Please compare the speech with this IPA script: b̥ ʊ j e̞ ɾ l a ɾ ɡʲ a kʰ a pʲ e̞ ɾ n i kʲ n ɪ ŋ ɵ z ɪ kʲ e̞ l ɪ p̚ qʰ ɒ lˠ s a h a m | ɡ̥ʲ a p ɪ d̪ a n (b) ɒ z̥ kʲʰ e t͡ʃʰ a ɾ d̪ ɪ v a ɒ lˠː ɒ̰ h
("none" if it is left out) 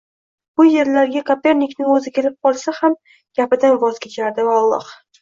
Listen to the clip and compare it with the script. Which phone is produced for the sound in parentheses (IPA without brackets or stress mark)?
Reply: v